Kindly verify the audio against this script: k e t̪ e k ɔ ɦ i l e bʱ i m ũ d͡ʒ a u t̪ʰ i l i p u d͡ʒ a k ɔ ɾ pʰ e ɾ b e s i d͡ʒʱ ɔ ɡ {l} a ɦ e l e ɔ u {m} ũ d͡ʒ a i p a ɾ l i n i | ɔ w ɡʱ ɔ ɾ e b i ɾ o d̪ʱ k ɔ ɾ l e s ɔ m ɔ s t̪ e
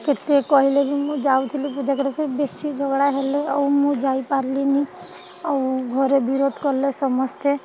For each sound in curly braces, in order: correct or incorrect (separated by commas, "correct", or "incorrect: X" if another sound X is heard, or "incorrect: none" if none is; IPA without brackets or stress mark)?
incorrect: ɽ, correct